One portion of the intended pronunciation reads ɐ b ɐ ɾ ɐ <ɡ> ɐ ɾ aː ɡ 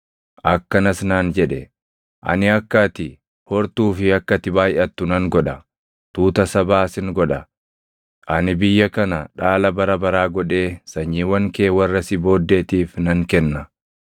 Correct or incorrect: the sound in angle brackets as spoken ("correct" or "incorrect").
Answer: incorrect